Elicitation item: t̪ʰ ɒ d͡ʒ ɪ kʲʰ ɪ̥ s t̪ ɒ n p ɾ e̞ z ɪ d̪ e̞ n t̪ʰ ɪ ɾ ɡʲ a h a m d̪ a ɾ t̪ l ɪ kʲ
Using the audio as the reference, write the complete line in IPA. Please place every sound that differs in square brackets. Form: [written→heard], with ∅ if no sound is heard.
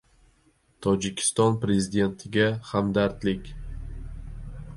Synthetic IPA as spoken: t̪ʰ ɒ d͡ʒ ɪ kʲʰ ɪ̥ s t̪ ɒ n p ɾ e̞ z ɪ d̪ e̞ n t̪ʰ ɪ [ɾ→∅] ɡʲ a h a m d̪ a ɾ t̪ l ɪ kʲ